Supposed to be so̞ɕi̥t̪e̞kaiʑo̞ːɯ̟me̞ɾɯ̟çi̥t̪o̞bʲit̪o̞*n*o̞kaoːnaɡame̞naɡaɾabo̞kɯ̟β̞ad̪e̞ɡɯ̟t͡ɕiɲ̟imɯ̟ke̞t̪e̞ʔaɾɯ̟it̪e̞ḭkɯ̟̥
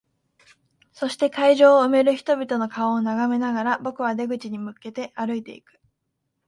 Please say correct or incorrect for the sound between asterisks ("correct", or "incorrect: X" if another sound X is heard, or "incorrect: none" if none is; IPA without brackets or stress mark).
correct